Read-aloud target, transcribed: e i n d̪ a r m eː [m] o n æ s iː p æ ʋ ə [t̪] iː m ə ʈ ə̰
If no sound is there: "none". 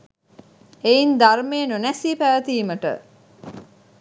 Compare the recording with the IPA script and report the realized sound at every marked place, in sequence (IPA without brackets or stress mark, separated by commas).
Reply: n, t̪